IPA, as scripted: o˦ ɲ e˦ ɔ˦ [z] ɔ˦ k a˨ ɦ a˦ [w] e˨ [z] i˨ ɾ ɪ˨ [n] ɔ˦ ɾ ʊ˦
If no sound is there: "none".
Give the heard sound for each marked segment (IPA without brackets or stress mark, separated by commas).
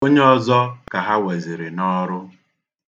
z, w, z, n